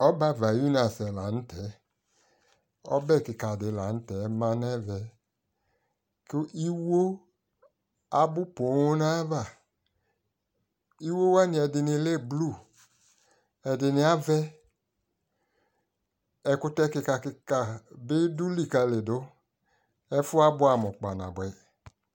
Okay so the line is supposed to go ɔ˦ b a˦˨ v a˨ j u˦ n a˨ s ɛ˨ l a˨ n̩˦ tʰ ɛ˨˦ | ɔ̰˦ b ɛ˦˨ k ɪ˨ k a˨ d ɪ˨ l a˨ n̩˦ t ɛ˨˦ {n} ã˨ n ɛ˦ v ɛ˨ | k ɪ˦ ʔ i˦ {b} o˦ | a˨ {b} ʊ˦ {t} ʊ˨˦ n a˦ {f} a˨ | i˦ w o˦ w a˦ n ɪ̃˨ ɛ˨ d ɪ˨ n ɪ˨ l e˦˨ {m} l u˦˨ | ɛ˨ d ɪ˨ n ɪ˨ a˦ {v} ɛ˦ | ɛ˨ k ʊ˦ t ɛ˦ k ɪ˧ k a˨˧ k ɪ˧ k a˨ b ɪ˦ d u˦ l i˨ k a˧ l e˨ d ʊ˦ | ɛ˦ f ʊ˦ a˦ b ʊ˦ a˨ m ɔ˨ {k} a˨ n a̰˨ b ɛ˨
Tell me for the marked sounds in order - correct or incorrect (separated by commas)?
incorrect, incorrect, correct, incorrect, incorrect, incorrect, correct, incorrect